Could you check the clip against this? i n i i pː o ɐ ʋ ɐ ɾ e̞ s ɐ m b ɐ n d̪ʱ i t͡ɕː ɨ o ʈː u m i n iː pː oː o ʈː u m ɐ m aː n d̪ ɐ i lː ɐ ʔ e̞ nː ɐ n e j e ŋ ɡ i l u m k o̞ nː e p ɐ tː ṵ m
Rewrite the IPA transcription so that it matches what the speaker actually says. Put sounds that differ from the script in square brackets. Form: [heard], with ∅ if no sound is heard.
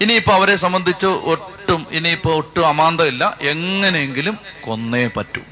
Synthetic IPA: i n i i pː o ɐ ʋ ɐ ɾ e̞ s ɐ m b ɐ n d̪ʱ i t͡ɕː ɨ o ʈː u m i n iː pː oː o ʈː u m ɐ m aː n d̪ ɐ i lː ɐ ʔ e̞ [ŋː] ɐ n e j e ŋ ɡ i l u m k o̞ nː e p ɐ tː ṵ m